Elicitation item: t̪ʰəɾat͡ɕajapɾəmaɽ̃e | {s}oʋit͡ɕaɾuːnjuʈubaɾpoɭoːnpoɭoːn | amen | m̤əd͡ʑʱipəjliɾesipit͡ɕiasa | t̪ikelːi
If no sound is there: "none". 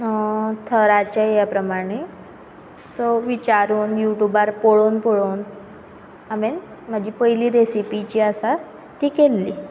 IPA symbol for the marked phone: s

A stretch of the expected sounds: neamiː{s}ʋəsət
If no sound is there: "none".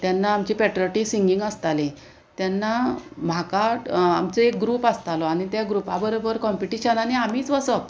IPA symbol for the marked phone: t͡s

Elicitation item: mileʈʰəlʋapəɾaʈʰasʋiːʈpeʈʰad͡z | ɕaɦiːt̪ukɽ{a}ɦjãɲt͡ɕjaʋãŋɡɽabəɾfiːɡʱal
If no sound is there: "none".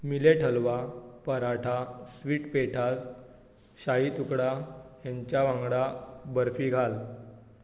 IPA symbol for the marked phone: a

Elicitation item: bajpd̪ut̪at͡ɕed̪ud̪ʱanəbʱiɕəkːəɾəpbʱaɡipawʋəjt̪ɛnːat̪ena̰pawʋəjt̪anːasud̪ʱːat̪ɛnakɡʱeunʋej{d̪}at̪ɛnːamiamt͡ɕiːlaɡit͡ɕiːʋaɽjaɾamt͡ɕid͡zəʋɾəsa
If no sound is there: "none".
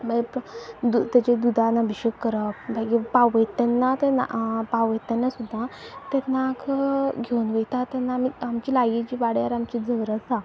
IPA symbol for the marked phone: t̪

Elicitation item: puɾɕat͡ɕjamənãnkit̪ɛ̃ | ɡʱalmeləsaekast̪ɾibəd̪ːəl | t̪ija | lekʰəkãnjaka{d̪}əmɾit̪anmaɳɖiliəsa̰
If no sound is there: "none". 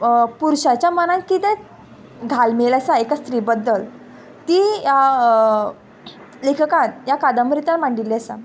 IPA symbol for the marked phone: d̪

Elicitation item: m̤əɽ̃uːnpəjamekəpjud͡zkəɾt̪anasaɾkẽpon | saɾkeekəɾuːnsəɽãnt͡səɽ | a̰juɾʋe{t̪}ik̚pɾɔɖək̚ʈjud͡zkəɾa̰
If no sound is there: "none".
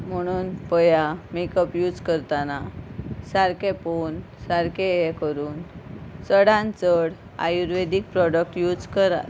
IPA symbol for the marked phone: d̪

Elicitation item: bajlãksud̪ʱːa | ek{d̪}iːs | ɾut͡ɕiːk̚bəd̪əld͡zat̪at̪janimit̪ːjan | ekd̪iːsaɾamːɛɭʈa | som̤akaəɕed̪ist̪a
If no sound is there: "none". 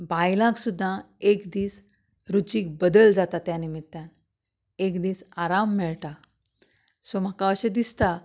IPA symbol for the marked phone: d̪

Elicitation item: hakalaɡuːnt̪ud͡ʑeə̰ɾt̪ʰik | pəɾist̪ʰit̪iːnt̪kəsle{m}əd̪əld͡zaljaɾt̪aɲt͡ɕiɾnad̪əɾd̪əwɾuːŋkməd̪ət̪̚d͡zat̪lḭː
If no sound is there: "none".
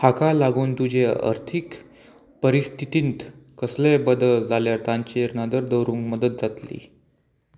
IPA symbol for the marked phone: b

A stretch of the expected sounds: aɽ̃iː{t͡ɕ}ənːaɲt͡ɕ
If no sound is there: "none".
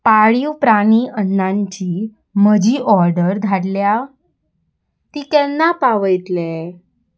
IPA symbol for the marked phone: none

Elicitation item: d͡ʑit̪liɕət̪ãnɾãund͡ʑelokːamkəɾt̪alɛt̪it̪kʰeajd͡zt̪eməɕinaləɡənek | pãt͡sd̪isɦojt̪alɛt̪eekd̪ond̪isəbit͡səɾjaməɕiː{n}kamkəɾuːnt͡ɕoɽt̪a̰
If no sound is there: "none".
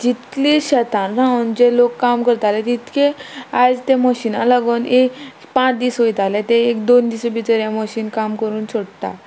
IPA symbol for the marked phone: n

